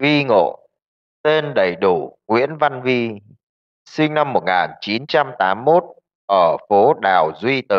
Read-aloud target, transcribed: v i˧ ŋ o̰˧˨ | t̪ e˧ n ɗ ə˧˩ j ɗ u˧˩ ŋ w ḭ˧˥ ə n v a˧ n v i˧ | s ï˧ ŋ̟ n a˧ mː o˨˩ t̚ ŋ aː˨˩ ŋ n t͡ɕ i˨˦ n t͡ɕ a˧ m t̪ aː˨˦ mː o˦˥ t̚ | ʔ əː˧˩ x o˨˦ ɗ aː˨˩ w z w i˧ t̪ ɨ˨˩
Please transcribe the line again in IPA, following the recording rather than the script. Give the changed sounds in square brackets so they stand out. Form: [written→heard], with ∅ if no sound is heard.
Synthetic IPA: v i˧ ŋ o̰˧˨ | t̪ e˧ n ɗ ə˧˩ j ɗ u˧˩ ŋ w ḭ˧˥ ə n v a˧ n v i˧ | s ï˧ ŋ̟ n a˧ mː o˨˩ t̚ ŋ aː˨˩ [ŋ→∅] n t͡ɕ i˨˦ n t͡ɕ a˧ m t̪ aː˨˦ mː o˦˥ t̚ | ʔ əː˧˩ [x→f] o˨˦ ɗ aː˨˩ w z w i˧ t̪ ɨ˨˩

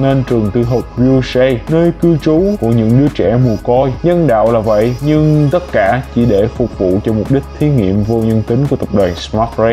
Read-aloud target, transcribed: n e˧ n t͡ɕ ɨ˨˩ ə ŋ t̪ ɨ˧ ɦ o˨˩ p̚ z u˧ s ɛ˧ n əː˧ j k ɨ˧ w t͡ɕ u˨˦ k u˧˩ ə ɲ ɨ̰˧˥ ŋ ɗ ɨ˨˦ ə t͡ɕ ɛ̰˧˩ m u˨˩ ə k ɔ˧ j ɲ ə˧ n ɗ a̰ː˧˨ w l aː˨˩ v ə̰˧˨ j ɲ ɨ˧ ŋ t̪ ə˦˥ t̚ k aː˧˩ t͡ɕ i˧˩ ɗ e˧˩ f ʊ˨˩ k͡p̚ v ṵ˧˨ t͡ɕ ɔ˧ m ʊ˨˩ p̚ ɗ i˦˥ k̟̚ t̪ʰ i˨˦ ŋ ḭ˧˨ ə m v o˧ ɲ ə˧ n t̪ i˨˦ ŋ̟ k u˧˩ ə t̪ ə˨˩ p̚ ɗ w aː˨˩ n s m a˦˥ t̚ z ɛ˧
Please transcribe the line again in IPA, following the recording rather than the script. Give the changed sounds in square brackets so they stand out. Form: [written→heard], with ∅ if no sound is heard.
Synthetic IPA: n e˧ n t͡ɕ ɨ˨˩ ə ŋ t̪ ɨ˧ ɦ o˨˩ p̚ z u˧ s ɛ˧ n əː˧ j k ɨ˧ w t͡ɕ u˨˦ k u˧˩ ə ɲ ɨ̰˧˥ ŋ ɗ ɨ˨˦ ə t͡ɕ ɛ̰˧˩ m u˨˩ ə k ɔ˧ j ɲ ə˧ n ɗ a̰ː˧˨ w l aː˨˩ v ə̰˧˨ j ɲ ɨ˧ ŋ t̪ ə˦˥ t̚ k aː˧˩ t͡ɕ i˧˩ ɗ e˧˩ f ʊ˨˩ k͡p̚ v ṵ˧˨ t͡ɕ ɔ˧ m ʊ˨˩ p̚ ɗ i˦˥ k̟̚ t̪ʰ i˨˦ ŋ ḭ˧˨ ə m v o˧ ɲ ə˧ n t̪ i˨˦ ŋ̟ k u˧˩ ə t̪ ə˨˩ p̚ ɗ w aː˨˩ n s m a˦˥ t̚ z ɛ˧

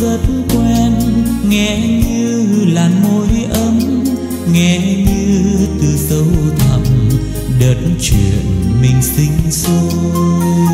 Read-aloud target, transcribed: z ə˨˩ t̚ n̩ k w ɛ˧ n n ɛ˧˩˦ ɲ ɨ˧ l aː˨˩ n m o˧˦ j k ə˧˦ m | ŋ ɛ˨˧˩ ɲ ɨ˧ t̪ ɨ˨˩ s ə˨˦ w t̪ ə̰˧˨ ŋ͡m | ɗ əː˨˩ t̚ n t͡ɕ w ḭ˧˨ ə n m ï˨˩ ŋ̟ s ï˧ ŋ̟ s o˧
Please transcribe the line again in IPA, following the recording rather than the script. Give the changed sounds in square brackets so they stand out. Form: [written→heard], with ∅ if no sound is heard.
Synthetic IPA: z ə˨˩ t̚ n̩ k w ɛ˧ n [n→ŋ] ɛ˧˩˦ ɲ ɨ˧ l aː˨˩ n m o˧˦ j [k→ʔ] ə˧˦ m | ŋ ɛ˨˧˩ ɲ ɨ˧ t̪ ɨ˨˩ s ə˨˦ w [t̪→t̪ʰ] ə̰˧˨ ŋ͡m | ɗ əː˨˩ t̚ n t͡ɕ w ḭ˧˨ ə n m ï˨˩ ŋ̟ s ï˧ ŋ̟ s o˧

